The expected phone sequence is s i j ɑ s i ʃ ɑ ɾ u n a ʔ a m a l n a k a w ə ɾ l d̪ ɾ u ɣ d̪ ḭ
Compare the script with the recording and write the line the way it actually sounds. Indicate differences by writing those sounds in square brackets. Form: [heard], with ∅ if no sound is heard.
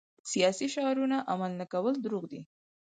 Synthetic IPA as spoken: s i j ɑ s i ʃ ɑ ɾ u n a ʔ a m a l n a k a w ə [∅] l d̪ ɾ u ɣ d̪ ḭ